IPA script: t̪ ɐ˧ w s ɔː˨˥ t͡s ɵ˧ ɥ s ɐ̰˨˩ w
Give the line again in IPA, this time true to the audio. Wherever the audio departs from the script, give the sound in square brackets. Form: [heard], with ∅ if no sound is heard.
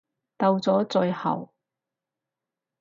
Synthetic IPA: t̪ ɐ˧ w [t͡s] ɔː˨˥ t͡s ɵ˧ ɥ [h] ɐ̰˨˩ w